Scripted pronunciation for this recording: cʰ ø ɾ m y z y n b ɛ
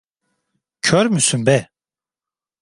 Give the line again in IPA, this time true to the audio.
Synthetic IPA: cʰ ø ɾ m y s y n b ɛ